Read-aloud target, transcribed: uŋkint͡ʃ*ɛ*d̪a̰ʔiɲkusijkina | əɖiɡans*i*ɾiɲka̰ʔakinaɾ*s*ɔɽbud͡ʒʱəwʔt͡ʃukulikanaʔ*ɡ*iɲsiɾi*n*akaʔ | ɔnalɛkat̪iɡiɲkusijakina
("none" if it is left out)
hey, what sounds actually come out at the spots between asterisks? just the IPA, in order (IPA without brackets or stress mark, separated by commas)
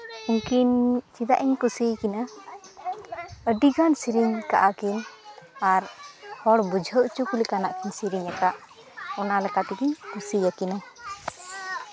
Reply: i, i, h, k, ɲ